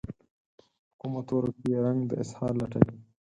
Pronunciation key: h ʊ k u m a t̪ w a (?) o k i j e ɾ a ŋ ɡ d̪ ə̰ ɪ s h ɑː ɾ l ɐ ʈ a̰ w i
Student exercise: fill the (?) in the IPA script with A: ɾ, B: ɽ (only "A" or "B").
A